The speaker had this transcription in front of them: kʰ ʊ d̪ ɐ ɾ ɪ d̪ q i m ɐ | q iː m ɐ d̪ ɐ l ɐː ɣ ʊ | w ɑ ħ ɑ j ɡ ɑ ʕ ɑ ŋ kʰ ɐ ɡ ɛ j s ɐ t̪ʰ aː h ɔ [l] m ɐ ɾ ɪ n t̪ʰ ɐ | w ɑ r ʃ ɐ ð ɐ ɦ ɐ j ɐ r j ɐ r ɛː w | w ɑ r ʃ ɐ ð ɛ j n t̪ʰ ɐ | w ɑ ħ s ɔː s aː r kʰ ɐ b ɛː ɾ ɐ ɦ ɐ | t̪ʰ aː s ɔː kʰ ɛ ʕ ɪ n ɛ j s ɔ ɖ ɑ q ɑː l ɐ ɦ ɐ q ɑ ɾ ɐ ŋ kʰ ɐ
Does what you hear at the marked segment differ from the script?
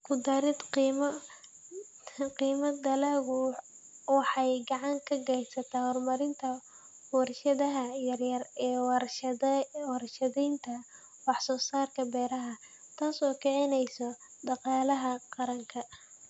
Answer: yes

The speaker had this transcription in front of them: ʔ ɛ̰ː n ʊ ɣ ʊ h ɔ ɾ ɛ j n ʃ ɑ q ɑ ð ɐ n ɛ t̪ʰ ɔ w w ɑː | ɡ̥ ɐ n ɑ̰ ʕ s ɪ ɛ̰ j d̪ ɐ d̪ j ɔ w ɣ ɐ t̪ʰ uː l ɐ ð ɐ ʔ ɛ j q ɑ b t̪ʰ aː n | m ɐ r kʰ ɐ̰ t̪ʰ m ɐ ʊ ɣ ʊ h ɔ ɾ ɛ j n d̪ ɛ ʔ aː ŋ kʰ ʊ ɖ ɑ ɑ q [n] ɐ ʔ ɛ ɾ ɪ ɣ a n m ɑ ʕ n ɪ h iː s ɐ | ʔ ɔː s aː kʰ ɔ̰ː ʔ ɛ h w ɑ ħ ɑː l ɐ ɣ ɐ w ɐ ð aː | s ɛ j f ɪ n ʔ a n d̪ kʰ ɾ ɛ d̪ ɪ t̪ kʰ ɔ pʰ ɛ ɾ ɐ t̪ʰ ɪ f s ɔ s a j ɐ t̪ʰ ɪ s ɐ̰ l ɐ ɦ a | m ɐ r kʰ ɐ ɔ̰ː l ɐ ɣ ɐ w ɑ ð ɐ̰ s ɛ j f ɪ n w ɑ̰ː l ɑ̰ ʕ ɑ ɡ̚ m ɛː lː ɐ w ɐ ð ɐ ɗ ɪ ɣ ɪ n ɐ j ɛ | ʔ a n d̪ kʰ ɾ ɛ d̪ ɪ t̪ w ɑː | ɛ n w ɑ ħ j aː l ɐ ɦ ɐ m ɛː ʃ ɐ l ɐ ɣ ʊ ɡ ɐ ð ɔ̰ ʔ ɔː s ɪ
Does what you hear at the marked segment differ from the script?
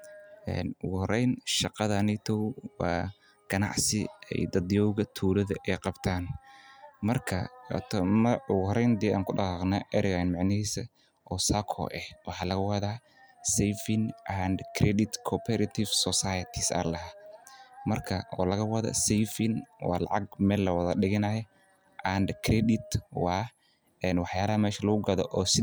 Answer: no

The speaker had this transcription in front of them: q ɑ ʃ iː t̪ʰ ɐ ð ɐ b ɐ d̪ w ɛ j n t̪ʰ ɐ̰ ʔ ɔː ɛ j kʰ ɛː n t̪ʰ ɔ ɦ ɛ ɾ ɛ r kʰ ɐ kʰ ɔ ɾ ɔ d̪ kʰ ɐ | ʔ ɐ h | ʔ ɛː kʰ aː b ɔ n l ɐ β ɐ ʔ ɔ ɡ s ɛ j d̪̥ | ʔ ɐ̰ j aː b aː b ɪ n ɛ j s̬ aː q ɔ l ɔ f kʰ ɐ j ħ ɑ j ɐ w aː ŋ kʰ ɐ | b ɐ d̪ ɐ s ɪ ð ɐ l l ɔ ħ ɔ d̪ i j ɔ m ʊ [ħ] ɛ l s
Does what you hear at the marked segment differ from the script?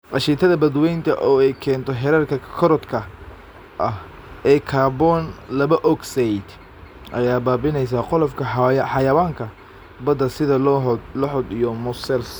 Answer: yes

